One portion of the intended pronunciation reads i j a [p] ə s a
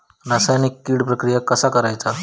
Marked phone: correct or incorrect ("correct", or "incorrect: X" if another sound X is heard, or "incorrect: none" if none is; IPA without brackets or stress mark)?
incorrect: k